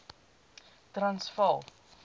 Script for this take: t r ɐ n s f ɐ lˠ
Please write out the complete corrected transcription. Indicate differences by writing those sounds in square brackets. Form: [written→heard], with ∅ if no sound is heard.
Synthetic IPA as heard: t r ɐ n s f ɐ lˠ